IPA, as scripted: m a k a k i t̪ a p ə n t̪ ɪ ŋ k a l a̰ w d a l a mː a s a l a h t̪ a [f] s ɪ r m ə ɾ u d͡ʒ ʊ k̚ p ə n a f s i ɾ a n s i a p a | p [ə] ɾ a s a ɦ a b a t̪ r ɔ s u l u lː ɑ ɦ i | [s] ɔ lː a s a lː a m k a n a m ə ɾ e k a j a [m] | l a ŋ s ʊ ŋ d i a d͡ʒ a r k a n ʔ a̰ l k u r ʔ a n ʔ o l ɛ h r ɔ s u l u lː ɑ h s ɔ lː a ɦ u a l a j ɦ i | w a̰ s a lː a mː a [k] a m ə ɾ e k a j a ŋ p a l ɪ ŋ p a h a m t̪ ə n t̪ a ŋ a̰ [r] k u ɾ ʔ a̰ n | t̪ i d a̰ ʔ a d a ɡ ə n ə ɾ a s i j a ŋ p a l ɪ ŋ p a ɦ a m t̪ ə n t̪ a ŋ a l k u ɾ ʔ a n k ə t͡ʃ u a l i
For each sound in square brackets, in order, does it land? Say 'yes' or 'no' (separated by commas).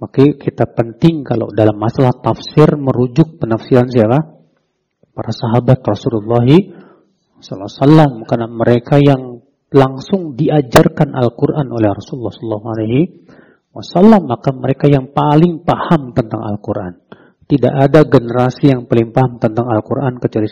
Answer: yes, no, yes, no, yes, no